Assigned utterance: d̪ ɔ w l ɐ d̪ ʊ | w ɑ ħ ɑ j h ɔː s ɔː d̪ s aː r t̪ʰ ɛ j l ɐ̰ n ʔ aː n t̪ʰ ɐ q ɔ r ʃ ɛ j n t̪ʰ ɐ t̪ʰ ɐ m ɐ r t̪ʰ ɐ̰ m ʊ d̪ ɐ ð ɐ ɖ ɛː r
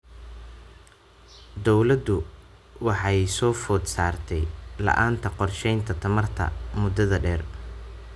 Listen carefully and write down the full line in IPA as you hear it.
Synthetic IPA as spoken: d̪ ɔ w l ɐ d̪ ʊ | w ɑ ħ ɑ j s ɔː f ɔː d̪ s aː r t̪ʰ ɛ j l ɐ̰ ʔ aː n t̪ʰ ɐ q ɔ r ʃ ɛ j n t̪ʰ ɐ t̪ʰ ɐ m ɐ r t̪ʰ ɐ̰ m ʊ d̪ ɐ ð ɐ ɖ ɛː r